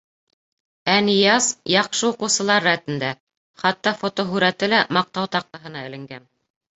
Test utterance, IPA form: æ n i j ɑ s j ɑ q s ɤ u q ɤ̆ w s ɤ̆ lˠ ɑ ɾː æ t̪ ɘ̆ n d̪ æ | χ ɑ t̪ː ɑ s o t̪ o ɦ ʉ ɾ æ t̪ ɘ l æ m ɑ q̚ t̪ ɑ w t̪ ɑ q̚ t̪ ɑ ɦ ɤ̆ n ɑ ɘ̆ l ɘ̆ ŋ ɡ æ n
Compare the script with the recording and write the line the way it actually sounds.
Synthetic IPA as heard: æ n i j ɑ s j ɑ q ʃ ɤ u q ɤ̆ w s ɤ̆ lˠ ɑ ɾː æ t̪ ɘ̆ n d̪ æ | χ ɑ t̪ː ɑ f o t̪ o ɦ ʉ ɾ æ t̪ ɘ l æ m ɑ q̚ t̪ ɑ w t̪ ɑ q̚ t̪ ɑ ɦ ɤ̆ n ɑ ɘ̆ l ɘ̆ ŋ ɡ æ n